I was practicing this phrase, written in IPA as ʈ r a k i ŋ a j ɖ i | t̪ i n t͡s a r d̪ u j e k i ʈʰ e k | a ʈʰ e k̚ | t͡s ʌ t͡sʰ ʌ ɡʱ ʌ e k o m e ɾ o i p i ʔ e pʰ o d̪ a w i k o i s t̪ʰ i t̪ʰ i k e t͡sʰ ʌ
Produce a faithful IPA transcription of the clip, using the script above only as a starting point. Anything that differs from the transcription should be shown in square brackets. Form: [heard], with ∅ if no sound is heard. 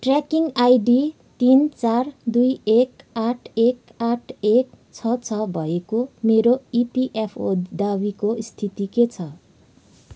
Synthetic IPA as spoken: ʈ r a k i ŋ a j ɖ i | t̪ i n t͡s a r d̪ u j e k [a] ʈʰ e k | a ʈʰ e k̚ | [t͡sʰ] ʌ t͡sʰ ʌ [bʱ] ʌ e k o m e ɾ o i p i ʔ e pʰ o d̪ a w i k o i s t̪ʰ i [t̪] i k e t͡sʰ ʌ